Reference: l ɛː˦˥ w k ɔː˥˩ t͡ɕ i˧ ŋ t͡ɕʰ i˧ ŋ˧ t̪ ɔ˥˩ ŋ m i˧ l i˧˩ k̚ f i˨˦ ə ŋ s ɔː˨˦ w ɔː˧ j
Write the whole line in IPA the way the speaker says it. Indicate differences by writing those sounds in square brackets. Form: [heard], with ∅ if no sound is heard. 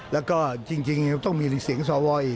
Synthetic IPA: l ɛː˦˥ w k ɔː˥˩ t͡ɕ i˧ ŋ [t͡ɕ] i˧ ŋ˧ t̪ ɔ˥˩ ŋ m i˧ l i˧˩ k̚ [s] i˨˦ ə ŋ s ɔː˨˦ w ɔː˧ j